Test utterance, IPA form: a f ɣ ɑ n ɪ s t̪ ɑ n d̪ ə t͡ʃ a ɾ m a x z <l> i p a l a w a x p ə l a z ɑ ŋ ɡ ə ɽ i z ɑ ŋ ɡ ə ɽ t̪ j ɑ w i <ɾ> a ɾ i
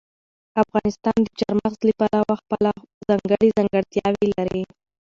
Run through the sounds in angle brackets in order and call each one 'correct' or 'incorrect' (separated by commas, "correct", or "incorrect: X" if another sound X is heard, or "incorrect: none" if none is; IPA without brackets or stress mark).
correct, incorrect: l